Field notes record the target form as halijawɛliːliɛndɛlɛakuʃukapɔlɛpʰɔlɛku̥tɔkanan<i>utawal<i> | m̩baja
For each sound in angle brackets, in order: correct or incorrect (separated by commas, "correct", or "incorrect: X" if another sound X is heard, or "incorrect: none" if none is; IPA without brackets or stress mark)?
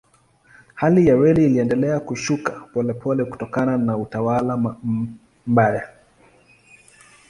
incorrect: a, incorrect: a